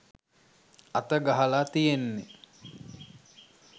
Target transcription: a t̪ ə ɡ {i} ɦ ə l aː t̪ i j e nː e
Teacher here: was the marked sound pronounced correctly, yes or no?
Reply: no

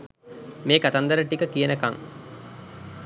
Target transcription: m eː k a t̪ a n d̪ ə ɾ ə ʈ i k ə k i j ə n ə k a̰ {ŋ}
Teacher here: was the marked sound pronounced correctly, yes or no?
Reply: yes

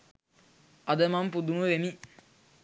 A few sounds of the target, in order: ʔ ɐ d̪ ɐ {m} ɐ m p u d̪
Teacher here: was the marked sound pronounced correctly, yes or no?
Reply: yes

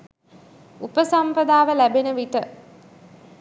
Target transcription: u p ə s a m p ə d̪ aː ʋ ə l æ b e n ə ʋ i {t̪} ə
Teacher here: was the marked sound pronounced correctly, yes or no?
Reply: yes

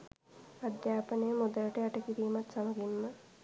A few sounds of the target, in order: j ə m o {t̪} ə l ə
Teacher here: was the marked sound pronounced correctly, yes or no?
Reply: no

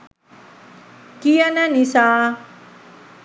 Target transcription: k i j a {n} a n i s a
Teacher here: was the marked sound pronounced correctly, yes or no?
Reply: yes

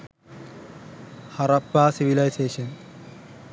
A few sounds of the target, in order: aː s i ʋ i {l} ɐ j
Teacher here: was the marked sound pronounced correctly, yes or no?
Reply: yes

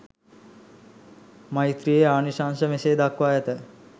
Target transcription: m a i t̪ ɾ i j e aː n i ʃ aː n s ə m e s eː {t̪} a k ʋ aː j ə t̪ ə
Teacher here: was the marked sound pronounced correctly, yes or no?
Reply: no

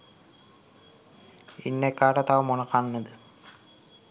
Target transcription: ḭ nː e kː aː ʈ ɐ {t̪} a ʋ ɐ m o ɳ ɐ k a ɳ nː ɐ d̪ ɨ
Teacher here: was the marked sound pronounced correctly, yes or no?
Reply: yes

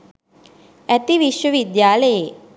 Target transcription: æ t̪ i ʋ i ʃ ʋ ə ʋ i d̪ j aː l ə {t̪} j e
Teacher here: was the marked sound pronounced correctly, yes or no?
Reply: no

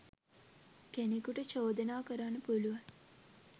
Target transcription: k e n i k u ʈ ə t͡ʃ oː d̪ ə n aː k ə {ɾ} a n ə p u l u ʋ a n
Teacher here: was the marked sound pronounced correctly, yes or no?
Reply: yes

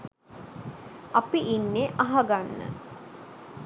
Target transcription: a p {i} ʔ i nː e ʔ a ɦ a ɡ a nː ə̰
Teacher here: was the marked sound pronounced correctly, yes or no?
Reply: yes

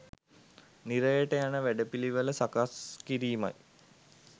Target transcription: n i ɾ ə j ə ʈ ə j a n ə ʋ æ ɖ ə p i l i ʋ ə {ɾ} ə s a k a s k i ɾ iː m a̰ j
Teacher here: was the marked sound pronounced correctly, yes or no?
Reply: no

